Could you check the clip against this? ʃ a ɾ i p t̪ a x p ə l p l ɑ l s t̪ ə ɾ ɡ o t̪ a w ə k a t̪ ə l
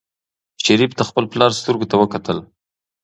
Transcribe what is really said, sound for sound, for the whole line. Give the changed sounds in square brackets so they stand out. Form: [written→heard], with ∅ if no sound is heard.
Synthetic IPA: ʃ a ɾ i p t̪ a x p ə l p l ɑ [l→ɾ] s t̪ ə ɾ ɡ o t̪ a w ə k a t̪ ə l